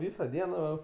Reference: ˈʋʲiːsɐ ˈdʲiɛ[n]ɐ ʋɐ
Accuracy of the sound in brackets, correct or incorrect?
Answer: correct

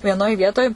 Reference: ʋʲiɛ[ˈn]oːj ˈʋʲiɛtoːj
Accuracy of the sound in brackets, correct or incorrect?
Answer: correct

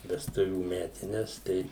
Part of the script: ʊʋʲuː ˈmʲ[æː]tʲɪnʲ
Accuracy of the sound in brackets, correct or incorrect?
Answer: correct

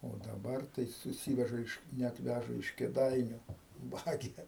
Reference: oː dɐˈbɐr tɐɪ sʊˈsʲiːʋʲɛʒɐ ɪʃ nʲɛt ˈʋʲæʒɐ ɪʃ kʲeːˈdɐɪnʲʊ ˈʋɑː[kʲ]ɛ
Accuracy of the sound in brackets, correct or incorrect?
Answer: incorrect: ɡʲ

